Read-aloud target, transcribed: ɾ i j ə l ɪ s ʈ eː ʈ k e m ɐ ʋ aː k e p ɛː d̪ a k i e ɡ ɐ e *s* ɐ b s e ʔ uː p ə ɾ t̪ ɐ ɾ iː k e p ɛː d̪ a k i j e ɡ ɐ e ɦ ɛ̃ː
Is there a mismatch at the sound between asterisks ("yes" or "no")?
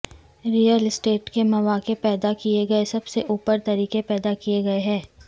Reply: no